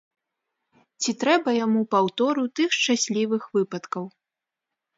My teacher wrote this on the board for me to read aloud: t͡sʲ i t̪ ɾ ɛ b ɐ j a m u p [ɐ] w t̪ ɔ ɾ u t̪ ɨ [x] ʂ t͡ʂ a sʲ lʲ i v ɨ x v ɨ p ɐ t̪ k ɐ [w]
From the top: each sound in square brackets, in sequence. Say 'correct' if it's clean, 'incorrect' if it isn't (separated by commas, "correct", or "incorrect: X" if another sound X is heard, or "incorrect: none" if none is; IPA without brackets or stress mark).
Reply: incorrect: a, correct, correct